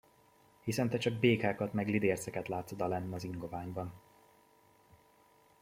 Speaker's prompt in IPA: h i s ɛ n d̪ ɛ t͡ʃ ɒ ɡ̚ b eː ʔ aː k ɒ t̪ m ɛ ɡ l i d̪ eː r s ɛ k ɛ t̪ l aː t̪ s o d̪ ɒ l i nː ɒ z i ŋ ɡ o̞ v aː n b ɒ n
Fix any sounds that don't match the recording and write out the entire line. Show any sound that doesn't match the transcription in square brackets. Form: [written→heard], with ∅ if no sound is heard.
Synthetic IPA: h i s ɛ n [d̪→t̪] ɛ t͡ʃ ɒ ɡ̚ b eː [ʔ→k] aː k ɒ t̪ m ɛ ɡ l i d̪ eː r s ɛ k ɛ t̪ l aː t̪ s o d̪ ɒ l [i→ɛ] nː ɒ z i ŋ ɡ o̞ v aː [n→ɲ] b ɒ n